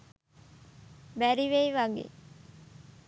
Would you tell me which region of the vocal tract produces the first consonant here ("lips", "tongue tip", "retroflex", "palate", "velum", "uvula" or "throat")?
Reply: lips